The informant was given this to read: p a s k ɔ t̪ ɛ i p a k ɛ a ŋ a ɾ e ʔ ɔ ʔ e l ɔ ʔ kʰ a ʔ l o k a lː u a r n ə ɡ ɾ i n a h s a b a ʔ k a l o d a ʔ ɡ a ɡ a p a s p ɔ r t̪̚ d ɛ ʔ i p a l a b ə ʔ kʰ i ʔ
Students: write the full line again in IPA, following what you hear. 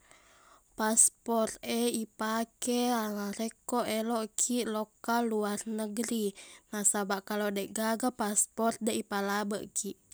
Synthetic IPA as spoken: p a s p ɔ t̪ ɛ i p a k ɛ a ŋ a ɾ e k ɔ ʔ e l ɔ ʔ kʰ i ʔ l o k a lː u a r n ə ɡ ɾ i n a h s a b a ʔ k a l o d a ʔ ɡ a ɡ a p a s p ɔ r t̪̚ d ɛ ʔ i p a l a b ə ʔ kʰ i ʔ